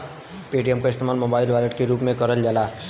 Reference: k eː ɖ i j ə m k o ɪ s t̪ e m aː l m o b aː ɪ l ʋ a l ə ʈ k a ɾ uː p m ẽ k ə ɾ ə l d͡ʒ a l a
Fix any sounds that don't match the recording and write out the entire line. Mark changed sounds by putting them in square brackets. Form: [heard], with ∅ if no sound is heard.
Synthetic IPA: [p] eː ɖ i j ə m k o ɪ s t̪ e m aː l m o b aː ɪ l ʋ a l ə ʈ k [e] ɾ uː p m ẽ k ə ɾ ə l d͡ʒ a l a